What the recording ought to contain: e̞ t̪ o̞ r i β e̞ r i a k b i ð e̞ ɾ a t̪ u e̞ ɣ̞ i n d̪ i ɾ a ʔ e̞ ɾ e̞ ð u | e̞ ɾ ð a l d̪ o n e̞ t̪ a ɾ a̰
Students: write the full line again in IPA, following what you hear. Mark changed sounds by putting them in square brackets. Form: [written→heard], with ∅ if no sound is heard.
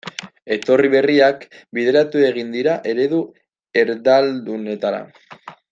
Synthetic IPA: e̞ t̪ o̞ r i β e̞ r i a k b i ð e̞ ɾ a t̪ u e̞ ɣ̞ i n d̪ i ɾ a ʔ e̞ ɾ e̞ ð u | e̞ ɾ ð a l d̪ [o→u] n e̞ t̪ a ɾ a̰